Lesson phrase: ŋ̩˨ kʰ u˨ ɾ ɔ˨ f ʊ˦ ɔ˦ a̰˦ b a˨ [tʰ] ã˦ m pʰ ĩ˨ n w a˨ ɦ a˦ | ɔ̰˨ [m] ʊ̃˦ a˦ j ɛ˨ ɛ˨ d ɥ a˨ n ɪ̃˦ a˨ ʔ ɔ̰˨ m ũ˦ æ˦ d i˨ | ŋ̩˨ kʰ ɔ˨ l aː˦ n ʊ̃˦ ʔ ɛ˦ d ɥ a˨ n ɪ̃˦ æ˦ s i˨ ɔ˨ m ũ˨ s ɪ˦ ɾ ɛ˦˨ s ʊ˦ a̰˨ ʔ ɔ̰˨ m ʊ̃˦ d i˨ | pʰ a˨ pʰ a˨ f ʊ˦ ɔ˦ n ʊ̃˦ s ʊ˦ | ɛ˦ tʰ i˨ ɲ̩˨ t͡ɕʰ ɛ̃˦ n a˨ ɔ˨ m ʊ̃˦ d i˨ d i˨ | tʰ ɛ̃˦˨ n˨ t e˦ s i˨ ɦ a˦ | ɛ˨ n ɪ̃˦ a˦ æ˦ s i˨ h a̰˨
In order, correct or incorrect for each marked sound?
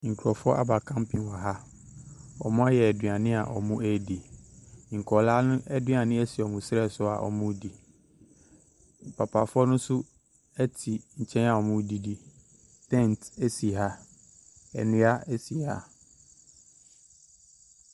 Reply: incorrect: kʰ, correct

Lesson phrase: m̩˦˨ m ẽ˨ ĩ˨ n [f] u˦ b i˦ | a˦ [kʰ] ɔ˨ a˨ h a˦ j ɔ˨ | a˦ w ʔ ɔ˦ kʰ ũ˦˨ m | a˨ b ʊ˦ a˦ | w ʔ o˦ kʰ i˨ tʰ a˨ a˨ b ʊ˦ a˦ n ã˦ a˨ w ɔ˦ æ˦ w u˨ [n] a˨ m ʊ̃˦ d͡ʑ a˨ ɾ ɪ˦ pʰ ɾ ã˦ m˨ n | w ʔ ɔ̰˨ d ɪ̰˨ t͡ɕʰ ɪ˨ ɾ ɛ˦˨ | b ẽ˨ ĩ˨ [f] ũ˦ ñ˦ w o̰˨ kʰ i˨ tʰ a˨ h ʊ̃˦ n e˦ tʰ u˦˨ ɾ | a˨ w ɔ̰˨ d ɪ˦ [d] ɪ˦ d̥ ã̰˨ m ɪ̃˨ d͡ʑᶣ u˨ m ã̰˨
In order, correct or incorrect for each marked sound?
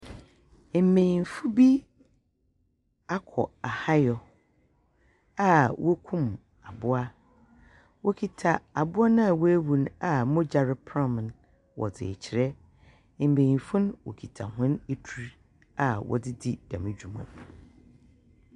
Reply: correct, correct, correct, correct, correct

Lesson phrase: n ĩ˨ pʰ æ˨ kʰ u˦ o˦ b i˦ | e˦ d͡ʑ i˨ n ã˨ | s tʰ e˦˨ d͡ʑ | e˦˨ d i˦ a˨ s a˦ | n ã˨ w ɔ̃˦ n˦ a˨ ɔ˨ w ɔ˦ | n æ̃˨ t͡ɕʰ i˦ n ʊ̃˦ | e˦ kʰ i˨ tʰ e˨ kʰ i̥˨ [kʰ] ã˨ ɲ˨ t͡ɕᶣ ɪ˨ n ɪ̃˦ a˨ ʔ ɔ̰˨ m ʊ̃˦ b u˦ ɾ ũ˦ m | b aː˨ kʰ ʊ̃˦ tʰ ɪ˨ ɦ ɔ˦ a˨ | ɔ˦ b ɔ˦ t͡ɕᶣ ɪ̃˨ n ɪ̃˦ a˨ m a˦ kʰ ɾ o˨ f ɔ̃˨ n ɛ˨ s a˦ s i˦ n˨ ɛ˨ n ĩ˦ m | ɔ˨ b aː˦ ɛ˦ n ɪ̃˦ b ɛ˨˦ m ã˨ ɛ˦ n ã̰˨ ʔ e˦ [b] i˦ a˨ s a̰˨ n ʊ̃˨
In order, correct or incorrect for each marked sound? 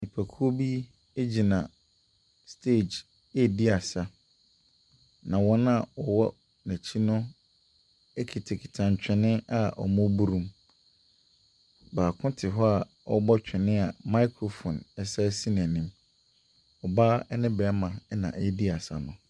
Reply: incorrect: tʰ, incorrect: d

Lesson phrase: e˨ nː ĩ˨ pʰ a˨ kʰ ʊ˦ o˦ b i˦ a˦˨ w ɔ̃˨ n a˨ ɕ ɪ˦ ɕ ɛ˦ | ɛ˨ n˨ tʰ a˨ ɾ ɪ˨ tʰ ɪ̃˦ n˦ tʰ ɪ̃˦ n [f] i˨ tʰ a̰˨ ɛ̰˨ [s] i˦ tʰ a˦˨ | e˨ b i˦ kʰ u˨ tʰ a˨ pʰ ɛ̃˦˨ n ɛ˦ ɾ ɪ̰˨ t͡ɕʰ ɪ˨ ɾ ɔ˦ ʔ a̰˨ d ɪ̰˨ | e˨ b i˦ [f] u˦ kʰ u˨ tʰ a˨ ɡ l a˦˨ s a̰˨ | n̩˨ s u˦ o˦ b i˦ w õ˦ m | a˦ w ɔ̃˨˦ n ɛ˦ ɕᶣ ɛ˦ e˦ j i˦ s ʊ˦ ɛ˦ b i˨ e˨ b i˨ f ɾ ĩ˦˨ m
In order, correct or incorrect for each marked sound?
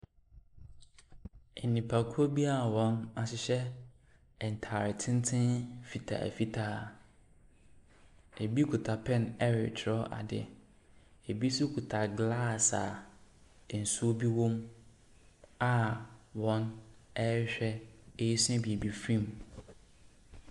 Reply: correct, incorrect: f, incorrect: s

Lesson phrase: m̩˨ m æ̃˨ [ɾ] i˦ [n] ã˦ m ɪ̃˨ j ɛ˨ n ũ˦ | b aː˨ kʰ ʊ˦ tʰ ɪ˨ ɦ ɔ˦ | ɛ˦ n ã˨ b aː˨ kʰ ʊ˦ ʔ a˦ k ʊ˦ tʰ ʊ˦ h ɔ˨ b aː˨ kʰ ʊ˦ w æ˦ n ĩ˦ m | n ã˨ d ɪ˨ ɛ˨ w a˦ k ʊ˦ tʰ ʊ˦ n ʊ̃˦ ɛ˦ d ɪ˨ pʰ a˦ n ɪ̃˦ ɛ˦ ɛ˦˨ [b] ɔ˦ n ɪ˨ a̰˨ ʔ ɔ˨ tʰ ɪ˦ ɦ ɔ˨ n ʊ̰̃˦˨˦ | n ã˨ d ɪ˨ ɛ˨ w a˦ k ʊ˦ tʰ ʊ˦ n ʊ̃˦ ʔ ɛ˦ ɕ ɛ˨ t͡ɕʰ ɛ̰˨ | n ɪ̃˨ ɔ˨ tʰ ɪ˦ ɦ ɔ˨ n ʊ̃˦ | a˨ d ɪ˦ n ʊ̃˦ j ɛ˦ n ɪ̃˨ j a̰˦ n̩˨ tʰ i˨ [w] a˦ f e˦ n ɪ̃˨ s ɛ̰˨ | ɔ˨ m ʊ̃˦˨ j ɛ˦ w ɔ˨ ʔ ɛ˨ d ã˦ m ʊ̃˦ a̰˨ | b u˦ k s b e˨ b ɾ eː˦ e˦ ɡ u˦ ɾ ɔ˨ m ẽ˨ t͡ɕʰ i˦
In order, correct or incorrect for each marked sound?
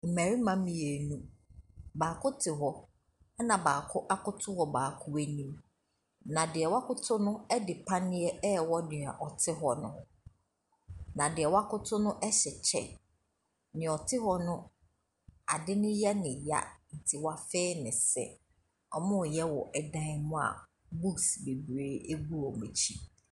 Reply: correct, incorrect: m, incorrect: w, correct

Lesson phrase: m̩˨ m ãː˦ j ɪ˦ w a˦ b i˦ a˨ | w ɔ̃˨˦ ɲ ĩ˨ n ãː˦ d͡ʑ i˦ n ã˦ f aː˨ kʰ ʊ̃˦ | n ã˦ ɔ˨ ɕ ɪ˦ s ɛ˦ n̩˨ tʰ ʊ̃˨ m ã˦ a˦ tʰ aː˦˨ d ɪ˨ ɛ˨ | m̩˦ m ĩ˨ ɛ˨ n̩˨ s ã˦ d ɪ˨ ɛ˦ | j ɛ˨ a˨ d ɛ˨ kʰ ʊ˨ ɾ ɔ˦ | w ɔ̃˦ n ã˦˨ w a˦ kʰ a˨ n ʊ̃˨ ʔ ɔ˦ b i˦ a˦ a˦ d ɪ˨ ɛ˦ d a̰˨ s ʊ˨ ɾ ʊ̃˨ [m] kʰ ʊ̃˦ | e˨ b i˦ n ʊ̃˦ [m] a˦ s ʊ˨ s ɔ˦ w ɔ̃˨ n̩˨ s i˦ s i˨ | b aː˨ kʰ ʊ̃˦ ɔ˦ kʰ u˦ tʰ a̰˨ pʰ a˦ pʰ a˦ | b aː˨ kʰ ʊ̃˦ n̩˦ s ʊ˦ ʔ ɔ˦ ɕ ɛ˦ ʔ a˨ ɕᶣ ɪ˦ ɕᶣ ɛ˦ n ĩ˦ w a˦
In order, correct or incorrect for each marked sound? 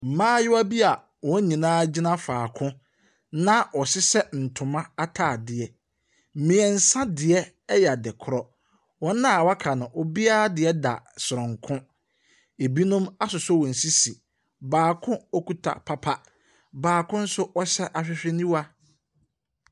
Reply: incorrect: ŋ, correct

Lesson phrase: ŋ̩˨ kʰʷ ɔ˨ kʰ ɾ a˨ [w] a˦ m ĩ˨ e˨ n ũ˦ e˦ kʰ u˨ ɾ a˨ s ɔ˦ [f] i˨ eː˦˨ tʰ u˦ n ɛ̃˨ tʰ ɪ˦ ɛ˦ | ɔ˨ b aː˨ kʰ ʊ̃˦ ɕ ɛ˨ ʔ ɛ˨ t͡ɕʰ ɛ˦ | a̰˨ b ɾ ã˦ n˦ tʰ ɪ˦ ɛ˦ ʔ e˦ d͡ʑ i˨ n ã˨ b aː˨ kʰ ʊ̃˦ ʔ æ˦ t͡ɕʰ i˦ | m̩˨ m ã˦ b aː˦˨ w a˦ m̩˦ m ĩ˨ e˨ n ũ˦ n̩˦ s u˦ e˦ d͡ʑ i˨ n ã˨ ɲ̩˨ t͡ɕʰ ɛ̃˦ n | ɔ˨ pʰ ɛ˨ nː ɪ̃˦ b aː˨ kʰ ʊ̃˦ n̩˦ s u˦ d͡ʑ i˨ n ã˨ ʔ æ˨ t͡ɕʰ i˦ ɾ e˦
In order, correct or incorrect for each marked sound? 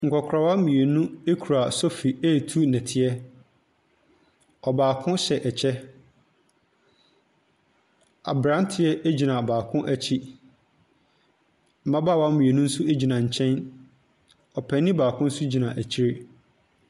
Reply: correct, correct

